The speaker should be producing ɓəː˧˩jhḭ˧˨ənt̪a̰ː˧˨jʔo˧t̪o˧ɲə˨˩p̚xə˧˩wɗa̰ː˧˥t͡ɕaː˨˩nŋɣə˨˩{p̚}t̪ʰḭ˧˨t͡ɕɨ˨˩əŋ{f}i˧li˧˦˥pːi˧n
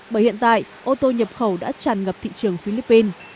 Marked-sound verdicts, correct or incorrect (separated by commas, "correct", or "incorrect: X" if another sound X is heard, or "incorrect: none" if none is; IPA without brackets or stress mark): correct, correct